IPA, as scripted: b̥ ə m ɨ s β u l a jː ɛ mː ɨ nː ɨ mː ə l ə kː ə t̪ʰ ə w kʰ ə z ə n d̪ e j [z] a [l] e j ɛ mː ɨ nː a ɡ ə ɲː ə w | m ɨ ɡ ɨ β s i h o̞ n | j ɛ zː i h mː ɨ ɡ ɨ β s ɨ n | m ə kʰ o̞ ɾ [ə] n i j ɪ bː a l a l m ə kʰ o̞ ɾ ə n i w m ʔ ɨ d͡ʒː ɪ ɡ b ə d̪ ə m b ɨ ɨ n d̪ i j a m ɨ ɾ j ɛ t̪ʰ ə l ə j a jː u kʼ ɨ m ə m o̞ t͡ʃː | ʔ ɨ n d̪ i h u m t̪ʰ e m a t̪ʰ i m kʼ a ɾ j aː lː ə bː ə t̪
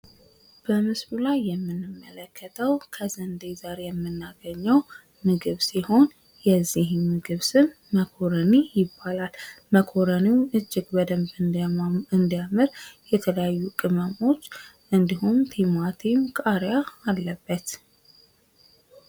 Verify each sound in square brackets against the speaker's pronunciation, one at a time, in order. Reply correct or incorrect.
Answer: correct, incorrect, correct

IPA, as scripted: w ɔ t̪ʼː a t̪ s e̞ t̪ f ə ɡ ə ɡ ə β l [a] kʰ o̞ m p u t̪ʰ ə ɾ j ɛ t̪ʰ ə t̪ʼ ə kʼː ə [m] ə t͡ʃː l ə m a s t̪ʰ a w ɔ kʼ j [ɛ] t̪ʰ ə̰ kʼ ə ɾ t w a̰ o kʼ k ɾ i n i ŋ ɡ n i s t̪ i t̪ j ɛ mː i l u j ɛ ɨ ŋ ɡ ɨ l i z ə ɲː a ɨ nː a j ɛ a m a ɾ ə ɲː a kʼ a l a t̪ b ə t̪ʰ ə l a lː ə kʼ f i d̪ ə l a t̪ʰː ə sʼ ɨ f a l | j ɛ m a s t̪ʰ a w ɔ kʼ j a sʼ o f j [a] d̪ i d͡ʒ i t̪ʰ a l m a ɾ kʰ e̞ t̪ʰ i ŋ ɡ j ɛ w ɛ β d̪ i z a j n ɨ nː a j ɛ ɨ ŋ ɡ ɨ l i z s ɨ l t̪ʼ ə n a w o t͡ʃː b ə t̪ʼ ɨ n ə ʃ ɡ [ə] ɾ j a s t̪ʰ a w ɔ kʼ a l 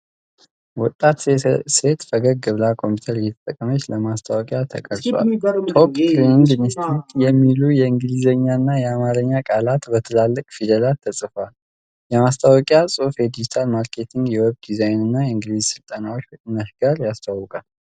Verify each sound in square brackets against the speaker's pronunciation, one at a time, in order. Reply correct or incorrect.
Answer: correct, correct, incorrect, incorrect, incorrect

